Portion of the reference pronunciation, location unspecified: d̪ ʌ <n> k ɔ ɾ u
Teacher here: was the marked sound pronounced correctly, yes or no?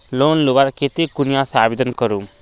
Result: yes